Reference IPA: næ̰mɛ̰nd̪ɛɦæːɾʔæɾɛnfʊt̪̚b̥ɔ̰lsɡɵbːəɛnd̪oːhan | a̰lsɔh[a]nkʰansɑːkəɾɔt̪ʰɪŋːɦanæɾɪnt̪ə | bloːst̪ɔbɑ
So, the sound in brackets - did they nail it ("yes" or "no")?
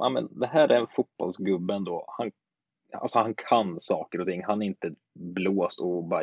yes